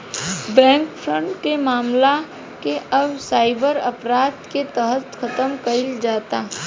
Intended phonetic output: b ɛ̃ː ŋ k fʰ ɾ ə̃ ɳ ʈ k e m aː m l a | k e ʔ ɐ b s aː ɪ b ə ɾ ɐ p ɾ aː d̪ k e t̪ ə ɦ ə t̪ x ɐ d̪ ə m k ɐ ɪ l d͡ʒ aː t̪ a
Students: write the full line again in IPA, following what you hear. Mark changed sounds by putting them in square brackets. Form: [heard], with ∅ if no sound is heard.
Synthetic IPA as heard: b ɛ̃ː ŋ k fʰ ɾ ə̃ ɳ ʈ k e m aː m l a | k e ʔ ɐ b s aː ɪ b ə ɾ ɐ p ɾ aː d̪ k e t̪ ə ɦ ə t̪ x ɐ [t̪] ə m k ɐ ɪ l d͡ʒ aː t̪ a